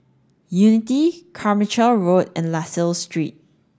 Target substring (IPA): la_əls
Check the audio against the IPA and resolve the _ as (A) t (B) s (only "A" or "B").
B